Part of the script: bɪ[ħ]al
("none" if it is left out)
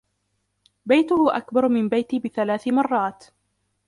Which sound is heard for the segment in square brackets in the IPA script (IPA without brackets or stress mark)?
θ